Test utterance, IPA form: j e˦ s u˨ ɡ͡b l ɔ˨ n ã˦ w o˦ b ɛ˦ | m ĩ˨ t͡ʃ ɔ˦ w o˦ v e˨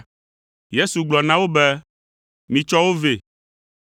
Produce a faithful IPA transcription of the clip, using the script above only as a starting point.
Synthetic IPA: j e˦ s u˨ ɡ͡b l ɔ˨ n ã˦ w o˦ b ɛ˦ | m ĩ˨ t͡ʃ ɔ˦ w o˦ v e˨

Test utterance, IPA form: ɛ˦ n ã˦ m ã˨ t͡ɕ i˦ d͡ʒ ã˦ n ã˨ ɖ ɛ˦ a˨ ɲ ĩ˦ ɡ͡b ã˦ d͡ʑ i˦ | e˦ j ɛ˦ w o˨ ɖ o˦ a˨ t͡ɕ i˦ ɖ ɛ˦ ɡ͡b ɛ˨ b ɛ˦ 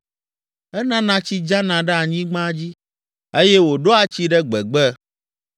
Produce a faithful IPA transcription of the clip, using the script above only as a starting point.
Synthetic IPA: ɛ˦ n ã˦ n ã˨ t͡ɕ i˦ d͡ʒ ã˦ n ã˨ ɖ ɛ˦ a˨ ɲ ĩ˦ ɡ͡b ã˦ d͡ʑ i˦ | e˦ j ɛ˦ w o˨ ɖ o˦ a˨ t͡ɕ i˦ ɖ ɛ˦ ɡ͡b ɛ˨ ɡ͡b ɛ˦

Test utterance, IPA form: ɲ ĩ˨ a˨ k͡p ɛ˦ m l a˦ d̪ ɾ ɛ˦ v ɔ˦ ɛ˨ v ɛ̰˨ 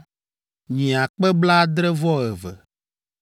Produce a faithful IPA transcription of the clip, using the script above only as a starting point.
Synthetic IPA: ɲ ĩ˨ a˨ k͡p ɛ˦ b l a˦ d̪ ɾ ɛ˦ v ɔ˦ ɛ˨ v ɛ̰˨

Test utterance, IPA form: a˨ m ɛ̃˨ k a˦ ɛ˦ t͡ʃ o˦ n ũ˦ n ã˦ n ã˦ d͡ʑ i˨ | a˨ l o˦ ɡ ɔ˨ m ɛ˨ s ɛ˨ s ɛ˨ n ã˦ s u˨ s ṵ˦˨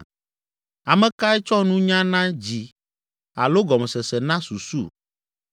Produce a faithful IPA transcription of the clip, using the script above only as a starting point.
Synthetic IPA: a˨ m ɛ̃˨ k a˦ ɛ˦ t͡ʃ ɔ˦ n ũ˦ ɲ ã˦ n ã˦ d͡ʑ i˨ | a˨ l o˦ ɡ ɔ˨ m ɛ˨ s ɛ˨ s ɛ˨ n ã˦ s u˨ s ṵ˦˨

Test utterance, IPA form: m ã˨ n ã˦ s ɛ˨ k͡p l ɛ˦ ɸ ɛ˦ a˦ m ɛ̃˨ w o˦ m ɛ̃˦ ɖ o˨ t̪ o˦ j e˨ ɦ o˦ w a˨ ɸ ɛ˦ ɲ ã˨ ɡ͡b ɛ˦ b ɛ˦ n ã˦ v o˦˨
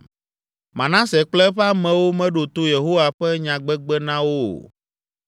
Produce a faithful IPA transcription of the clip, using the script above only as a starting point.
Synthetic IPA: m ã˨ n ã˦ s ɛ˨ k͡p l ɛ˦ ɸ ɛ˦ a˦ m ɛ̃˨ w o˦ m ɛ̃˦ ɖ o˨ t̪ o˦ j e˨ ɦ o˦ w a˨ ɸ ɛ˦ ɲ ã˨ ɡ͡b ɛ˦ ɡ͡b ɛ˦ n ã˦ w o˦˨

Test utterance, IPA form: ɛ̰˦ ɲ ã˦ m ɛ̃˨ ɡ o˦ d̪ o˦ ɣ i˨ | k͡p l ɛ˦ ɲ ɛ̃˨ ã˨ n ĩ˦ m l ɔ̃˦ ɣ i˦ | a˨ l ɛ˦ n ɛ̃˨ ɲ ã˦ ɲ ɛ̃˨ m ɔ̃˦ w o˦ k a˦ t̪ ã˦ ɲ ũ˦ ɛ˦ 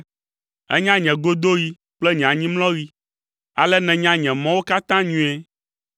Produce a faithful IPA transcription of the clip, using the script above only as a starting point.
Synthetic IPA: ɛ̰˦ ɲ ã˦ ɲ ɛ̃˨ ɡ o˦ d̪ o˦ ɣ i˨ | k͡p l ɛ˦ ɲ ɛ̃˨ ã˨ ɲ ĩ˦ m l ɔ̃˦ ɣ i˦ | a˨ l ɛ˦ n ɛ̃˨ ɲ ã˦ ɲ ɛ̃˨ m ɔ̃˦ w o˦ k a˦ t̪ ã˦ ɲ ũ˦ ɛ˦

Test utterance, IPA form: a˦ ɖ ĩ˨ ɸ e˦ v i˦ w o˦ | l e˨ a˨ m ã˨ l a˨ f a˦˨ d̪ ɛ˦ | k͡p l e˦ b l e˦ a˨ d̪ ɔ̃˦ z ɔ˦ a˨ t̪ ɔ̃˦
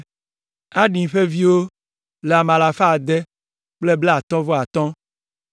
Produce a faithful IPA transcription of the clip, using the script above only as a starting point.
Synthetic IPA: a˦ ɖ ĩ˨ ɸ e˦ v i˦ w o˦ | l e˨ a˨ m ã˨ l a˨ f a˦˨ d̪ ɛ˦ | k͡p l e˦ b l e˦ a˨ t̪ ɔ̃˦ v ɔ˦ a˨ t̪ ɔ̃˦

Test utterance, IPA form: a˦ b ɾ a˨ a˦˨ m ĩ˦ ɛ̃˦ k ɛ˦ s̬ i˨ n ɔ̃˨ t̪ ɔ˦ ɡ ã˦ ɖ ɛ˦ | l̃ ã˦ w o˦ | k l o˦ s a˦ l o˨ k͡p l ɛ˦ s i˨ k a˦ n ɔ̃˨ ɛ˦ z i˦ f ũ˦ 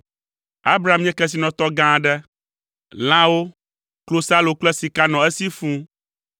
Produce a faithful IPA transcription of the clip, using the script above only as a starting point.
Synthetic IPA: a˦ b ɾ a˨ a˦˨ m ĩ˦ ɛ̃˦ k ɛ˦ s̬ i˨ n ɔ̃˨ t̪ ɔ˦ ɡ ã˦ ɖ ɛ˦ | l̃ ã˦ w o˦ | k l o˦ s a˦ l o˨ k͡p l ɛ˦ s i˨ k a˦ n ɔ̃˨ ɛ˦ s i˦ f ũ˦

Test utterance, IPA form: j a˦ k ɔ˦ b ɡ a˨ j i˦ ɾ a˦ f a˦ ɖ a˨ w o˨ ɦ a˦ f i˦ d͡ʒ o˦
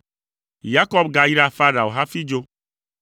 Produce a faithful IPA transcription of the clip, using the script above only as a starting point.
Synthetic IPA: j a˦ k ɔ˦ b ɡ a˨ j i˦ ɾ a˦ f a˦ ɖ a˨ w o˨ ɦ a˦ f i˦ d͡ʒ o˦

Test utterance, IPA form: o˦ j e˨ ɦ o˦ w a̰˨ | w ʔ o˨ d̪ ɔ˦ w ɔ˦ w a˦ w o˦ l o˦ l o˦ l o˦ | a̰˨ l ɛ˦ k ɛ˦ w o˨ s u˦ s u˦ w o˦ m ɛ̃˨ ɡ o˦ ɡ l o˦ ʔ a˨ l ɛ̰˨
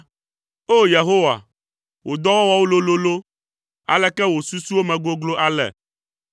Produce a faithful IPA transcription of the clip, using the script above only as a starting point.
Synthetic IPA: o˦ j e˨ ɦ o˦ w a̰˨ | w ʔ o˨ d̪ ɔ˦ w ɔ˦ w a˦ w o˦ l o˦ l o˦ l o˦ | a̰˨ l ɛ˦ k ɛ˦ w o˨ s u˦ s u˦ w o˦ m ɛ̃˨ ɡ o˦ ɡ l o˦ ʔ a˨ l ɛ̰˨

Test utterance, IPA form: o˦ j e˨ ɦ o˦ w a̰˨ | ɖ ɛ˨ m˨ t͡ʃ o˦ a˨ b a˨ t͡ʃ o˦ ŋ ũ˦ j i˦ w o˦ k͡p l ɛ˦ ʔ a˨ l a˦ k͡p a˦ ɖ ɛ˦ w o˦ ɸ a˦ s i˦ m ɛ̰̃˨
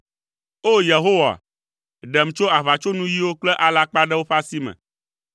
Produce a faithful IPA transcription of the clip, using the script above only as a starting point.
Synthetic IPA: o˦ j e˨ ɦ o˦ w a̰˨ | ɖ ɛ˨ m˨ t͡ʃ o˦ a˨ β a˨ t͡ʃ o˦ n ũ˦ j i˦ w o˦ k͡p l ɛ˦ ʔ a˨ l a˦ k͡p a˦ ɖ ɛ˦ w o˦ ɸ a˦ s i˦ m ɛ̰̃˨

